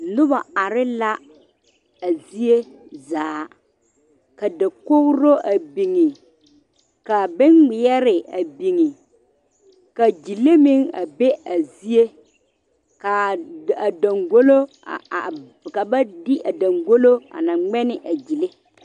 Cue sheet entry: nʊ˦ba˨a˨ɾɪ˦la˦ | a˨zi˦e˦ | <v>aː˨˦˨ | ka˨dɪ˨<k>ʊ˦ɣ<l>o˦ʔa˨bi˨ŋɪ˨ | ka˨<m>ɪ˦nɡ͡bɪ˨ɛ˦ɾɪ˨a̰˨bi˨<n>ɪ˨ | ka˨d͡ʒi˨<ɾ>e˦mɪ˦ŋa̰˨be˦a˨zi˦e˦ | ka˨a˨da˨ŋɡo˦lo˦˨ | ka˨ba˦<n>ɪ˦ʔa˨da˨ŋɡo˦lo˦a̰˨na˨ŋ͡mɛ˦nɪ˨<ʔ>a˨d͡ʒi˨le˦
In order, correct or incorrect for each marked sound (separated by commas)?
incorrect, correct, incorrect, incorrect, incorrect, incorrect, incorrect, correct